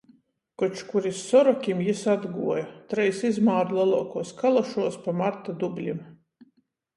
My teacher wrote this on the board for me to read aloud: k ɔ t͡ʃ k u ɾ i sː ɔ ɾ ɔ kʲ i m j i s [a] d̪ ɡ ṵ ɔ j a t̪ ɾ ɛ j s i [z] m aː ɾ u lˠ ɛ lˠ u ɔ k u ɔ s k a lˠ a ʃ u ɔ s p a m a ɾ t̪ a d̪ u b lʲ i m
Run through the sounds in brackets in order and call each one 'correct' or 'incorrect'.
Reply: correct, correct

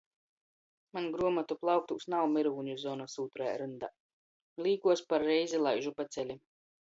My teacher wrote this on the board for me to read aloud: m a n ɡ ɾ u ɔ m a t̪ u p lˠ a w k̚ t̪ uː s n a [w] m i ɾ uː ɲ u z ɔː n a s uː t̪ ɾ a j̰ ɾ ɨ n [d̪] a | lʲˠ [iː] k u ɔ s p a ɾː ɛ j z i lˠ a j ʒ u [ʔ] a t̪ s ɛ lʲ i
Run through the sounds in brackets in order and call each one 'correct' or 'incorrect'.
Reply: correct, correct, correct, incorrect: p

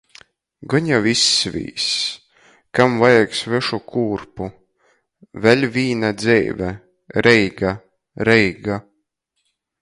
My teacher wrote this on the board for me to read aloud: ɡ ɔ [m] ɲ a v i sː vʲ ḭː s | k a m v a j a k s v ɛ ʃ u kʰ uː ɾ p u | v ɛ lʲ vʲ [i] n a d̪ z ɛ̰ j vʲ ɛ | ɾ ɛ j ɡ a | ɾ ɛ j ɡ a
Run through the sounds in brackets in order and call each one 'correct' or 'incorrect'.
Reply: incorrect: none, incorrect: iː

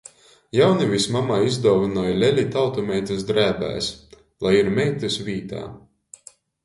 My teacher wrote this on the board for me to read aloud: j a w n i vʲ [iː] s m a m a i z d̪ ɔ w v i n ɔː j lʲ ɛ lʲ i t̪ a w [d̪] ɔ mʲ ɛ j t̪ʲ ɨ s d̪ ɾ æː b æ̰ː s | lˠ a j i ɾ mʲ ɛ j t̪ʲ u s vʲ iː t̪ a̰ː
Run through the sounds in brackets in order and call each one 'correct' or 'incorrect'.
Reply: incorrect: i, incorrect: t̪

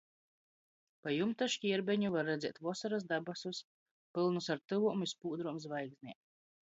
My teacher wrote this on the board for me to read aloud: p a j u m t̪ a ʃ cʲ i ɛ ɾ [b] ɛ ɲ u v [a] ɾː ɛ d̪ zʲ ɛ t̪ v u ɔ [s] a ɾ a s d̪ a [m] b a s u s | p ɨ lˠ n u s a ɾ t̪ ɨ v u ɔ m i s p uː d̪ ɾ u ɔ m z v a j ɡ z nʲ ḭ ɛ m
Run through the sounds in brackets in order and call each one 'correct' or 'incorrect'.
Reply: correct, correct, correct, incorrect: none

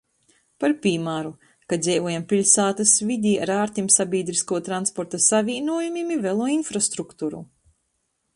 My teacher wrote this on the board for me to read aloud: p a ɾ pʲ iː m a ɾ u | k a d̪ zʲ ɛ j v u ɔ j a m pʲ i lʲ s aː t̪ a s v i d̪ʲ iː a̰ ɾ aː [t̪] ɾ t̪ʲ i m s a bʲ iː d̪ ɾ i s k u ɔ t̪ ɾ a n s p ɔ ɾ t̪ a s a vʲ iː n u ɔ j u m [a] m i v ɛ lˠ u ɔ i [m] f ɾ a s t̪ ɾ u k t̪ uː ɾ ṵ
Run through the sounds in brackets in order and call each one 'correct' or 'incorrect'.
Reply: incorrect: none, incorrect: i, incorrect: n

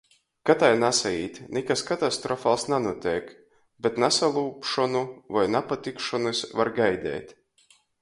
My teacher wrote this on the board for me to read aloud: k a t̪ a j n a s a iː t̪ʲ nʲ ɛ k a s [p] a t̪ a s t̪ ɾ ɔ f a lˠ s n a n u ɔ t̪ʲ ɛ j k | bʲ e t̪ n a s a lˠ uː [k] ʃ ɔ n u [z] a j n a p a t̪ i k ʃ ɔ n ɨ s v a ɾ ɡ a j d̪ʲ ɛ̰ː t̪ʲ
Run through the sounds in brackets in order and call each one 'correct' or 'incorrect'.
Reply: incorrect: k, incorrect: p, incorrect: v

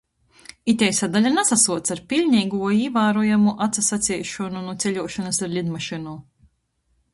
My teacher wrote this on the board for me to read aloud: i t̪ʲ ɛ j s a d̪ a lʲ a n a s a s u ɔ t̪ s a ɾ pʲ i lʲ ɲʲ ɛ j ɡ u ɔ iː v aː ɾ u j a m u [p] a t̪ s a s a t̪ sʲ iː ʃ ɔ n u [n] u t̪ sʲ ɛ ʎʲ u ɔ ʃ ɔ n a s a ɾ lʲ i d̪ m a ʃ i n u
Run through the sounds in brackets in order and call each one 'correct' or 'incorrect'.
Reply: incorrect: ʔ, correct

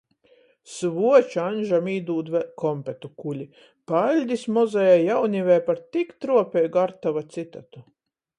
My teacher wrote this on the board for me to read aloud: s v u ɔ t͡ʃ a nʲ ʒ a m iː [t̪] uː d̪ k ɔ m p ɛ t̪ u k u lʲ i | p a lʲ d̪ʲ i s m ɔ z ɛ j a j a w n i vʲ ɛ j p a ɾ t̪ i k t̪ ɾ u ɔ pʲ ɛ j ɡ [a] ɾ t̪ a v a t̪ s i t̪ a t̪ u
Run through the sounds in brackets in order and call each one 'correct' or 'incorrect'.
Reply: incorrect: d̪, correct

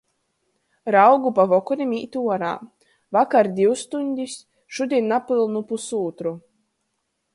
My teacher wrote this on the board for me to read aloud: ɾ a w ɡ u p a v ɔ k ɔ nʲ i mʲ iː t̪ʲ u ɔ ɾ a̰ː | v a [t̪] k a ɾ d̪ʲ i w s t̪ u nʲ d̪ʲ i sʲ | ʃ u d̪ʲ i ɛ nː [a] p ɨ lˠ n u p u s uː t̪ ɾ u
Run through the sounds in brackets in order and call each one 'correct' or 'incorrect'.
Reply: incorrect: none, correct

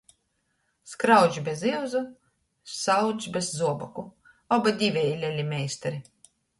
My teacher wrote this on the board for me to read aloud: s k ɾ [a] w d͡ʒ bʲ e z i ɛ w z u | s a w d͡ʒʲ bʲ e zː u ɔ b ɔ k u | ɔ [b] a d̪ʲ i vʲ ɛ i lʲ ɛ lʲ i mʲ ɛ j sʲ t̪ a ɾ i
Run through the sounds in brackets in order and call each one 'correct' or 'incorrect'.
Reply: correct, correct

